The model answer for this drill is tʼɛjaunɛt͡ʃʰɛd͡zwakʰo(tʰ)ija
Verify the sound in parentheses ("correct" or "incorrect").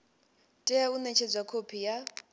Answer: incorrect